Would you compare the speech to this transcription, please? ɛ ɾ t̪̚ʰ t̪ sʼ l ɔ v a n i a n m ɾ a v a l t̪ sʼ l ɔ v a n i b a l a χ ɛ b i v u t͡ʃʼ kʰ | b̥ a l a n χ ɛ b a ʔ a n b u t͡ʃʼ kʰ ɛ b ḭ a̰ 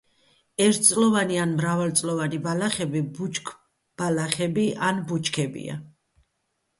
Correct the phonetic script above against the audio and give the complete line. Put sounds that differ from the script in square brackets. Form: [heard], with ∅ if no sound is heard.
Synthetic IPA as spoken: ɛ ɾ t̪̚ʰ t̪ sʼ l ɔ v a n i a n m ɾ a v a l t̪ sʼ l ɔ v a n i b a l a χ ɛ b i [b] u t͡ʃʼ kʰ | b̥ a l a [∅] χ ɛ b [i] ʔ a n b u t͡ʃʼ kʰ ɛ b ḭ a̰